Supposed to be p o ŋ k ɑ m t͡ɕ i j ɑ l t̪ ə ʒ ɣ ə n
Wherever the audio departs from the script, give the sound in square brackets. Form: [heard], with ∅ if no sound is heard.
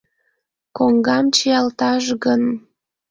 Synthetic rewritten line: [k] o ŋ [ɡ] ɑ m t͡ɕ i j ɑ l t̪ [ɑ] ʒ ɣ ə n